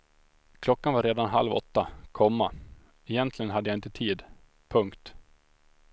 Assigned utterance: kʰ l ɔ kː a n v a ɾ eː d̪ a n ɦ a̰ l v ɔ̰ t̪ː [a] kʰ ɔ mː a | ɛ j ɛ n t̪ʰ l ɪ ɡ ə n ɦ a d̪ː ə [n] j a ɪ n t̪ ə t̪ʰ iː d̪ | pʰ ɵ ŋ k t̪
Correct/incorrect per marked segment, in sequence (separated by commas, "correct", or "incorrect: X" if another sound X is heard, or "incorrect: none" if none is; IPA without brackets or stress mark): correct, incorrect: none